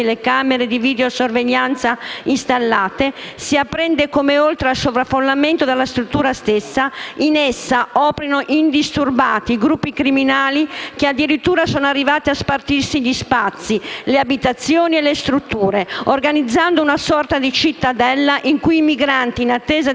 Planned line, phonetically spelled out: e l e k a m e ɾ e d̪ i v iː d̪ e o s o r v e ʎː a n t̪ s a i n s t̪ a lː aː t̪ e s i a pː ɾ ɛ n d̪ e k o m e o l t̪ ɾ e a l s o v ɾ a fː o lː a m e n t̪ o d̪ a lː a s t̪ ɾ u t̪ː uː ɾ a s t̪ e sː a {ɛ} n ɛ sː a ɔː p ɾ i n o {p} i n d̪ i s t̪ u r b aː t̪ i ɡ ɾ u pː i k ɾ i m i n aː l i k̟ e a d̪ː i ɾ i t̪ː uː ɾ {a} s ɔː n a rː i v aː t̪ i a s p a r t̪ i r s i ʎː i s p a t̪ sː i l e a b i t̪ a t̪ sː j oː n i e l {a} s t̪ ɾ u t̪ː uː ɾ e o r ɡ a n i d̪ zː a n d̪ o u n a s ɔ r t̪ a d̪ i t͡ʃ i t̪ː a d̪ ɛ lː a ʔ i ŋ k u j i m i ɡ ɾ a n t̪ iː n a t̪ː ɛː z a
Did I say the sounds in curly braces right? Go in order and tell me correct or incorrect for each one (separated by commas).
incorrect, incorrect, correct, incorrect